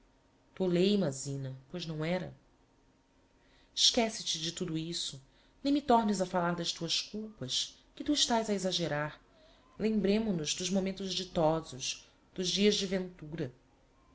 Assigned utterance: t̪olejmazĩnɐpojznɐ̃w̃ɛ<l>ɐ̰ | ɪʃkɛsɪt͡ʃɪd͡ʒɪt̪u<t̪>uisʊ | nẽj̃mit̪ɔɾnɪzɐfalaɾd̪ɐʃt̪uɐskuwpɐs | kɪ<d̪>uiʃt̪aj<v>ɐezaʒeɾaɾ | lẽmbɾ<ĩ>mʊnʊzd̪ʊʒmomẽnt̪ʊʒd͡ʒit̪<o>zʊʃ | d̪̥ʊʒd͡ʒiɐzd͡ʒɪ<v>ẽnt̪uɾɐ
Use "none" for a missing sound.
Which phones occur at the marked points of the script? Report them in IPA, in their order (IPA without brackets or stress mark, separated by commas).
ɾ, d̪, t̪, z, ẽ, ɔ, v